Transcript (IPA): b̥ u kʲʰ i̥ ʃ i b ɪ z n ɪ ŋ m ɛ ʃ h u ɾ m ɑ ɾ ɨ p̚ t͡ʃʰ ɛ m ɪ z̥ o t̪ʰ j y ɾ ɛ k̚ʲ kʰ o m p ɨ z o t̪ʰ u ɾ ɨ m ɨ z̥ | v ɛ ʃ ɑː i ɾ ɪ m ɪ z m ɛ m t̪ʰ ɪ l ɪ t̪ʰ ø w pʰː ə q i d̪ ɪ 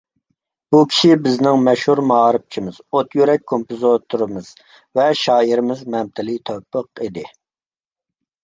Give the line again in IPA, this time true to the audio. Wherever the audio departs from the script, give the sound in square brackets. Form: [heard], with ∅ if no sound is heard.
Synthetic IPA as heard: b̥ u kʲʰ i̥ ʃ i b ɪ z n ɪ ŋ m ɛ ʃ h u ɾ m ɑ ɾ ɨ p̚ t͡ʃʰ [i] m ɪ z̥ o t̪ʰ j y ɾ ɛ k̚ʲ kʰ o m p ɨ z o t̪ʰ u ɾ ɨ m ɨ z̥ | v ɛ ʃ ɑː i ɾ ɪ m ɪ z m ɛ m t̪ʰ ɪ l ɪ t̪ʰ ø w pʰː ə q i d̪ ɪ